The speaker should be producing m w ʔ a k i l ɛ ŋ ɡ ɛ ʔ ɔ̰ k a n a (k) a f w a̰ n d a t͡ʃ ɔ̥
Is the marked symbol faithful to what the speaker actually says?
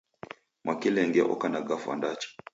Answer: no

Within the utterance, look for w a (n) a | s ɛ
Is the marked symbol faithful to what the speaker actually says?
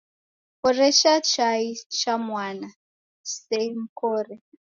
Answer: yes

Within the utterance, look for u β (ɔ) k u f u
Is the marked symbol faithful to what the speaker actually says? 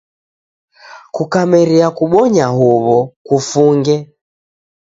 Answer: yes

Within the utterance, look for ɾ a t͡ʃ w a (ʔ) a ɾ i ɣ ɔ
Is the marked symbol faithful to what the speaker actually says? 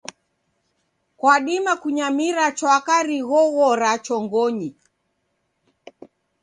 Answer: no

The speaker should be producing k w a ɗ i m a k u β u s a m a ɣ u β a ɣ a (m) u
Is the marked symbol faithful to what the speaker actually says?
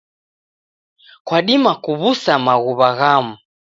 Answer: yes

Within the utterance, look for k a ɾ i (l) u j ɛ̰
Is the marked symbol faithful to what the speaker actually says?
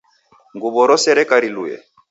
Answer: yes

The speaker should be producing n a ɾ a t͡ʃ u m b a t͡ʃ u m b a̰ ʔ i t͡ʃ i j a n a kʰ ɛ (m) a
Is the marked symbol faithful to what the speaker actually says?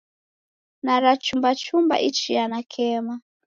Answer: yes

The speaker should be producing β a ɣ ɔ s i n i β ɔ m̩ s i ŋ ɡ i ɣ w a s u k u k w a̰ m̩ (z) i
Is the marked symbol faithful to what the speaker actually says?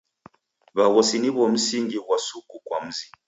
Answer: yes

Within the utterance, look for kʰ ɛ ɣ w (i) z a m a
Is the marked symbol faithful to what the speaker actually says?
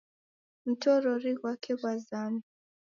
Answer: no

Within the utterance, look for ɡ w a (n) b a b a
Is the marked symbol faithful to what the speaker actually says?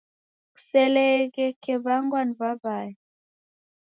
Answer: yes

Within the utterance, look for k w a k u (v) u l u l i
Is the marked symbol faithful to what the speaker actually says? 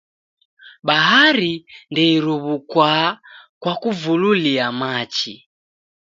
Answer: yes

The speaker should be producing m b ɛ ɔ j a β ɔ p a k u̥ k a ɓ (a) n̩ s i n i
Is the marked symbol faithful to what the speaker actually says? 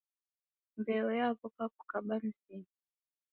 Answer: yes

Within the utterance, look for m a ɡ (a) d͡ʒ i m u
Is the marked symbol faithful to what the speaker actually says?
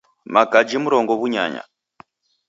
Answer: yes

